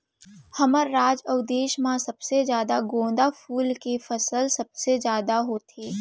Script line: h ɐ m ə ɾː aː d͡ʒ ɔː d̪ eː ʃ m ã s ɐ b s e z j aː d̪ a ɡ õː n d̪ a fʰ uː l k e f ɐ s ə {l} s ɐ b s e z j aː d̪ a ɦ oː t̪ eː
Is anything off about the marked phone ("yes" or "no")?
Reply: no